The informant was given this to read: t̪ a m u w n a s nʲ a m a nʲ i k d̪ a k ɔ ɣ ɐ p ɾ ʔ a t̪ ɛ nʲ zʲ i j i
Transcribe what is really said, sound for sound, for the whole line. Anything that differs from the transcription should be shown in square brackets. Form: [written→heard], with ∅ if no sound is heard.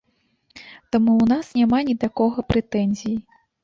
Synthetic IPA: t̪ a m u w n a s nʲ a m a nʲ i [k→∅] d̪ a k ɔ ɣ ɐ p ɾ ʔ [a→ɛ] t̪ ɛ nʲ zʲ i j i